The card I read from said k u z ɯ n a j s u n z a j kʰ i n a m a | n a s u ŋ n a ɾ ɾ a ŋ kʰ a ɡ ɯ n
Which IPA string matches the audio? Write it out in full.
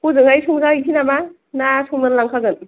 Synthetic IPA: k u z ɯ ŋ a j s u ŋ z a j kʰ i n a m a | n a s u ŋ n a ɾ l a ŋ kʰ a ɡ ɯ n